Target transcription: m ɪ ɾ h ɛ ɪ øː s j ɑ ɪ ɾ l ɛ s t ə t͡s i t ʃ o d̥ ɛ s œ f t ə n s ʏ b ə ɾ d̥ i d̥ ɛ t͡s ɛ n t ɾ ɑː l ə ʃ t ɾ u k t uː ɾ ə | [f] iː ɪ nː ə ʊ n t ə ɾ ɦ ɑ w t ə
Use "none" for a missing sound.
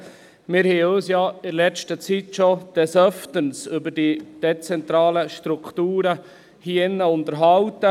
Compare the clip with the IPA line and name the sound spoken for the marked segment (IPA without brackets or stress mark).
h